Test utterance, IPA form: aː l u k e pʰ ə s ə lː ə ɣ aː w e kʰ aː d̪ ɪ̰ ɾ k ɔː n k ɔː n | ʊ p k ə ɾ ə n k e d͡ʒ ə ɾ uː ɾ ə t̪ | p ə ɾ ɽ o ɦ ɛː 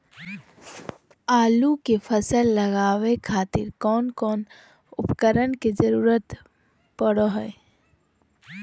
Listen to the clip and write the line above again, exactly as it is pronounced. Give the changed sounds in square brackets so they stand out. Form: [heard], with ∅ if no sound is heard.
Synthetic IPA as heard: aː l u k e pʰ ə s ə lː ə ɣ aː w e kʰ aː [t̪] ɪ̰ ɾ k ɔː n k ɔː n | ʊ p k ə ɾ ə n k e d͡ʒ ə ɾ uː ɾ ə t̪ | p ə [∅] ɽ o ɦ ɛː